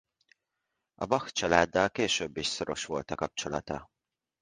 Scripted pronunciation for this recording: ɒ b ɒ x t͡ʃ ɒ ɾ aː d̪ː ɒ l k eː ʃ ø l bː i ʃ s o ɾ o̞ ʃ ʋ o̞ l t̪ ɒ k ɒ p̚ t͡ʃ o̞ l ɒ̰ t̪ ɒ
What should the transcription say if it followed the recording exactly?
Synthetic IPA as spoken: ɒ b ɒ x t͡ʃ ɒ l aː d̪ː ɒ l k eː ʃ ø bː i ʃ s o ɾ o̞ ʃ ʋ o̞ l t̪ ɒ k ɒ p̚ t͡ʃ o̞ l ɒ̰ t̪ ɒ